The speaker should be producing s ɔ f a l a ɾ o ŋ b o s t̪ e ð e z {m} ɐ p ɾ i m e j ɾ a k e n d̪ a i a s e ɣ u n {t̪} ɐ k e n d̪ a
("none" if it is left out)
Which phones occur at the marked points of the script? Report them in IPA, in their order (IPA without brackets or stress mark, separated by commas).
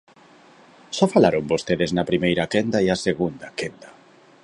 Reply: n, d̪